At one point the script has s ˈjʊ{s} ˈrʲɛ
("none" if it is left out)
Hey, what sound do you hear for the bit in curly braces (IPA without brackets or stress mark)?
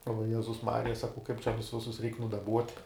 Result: s